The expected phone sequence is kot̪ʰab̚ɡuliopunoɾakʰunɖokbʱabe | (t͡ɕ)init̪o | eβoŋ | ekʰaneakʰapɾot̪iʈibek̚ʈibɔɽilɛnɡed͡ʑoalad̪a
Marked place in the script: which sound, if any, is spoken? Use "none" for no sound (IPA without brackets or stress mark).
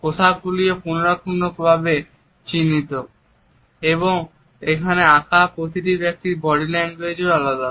t͡ɕ